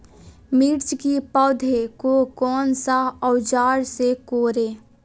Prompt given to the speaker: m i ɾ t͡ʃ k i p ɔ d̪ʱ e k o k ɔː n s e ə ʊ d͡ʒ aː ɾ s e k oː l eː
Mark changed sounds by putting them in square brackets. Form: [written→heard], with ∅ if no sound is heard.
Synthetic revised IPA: m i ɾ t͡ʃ k i p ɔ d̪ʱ e k o k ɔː n s [e→a] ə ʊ d͡ʒ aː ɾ s e k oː [l→ɾ] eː